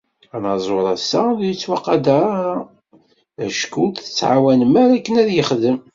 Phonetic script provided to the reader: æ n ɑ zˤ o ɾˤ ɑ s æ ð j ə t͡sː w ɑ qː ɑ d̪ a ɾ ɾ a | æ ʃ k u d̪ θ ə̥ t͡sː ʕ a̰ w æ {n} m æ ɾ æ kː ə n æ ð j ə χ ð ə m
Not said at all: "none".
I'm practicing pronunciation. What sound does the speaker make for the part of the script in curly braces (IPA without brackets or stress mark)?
n